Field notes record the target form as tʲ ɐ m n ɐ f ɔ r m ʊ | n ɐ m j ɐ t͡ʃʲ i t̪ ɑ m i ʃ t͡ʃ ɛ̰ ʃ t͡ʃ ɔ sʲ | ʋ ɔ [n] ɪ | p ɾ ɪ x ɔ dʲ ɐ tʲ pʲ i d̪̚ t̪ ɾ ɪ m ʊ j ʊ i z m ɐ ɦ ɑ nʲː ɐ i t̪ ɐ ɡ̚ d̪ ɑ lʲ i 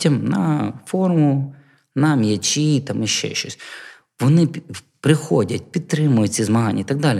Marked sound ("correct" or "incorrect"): correct